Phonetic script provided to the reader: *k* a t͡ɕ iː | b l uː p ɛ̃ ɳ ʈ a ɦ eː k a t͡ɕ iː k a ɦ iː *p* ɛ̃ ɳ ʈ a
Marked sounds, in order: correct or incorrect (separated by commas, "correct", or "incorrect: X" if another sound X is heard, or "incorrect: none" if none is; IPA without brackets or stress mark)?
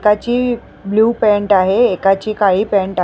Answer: correct, correct